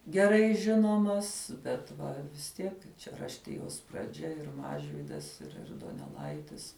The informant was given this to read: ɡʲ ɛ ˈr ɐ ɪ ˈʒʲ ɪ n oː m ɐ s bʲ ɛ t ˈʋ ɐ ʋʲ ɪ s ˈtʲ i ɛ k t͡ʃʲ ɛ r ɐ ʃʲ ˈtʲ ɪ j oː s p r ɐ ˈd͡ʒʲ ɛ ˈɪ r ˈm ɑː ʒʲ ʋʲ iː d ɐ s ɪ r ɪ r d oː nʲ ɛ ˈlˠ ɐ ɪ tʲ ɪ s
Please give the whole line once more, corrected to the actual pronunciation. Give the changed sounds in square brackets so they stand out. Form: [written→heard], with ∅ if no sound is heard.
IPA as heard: ɡʲ ɛ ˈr ɐ ɪ ˈʒʲ ɪ n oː m ɐ s bʲ ɛ t ˈʋ ɐ ʋʲ ɪ s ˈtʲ i ɛ k t͡ʃʲ ɛ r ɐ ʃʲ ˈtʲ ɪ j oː s p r ɐ ˈd͡ʒʲ ɛ ˈɪ r ˈm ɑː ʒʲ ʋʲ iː d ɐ s ɪ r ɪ r d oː nʲ ɛ ˈlˠ ɐ ɪ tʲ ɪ s